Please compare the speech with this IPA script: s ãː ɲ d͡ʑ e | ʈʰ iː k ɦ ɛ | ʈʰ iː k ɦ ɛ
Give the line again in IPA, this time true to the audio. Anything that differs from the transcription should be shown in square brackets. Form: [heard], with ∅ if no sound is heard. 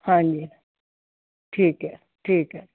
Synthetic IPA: [h] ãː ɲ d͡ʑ [i] | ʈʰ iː k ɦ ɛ | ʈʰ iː k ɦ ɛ